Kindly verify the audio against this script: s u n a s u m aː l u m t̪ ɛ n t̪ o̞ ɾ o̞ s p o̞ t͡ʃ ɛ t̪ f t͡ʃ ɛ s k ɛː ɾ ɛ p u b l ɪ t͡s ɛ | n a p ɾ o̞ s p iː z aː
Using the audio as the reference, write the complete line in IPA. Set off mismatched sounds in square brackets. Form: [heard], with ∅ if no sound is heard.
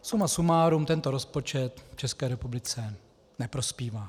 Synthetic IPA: s u [m] a s u m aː [ɾ] u m t̪ ɛ n t̪ o̞ ɾ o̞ s p o̞ t͡ʃ ɛ t̪ f t͡ʃ ɛ s k ɛː ɾ ɛ p u b l ɪ t͡s ɛ | n [ɛ] p ɾ o̞ s p iː [v] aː